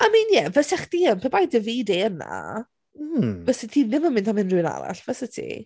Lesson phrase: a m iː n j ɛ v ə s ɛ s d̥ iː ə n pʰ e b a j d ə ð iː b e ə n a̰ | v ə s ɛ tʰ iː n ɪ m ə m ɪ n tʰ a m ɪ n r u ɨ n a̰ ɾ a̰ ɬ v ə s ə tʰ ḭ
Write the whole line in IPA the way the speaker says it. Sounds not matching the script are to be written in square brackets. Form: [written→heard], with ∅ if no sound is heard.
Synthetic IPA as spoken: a m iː n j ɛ v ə s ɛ [s→χ] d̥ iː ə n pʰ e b a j d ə [ð→v] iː [b→d] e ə n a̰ | v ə s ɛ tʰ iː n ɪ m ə m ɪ n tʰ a m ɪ n r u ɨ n a̰ ɾ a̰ ɬ v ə s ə tʰ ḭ